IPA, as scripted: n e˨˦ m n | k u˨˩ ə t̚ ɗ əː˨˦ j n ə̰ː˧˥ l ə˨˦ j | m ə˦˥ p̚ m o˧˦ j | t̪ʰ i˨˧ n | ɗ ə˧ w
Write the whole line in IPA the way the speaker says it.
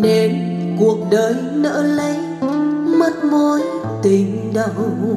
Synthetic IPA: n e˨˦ n | k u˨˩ ə k̚ ɗ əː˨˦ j n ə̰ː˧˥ l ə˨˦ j | m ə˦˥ t̚ m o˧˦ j | t̪ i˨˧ ŋ | ɗ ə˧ w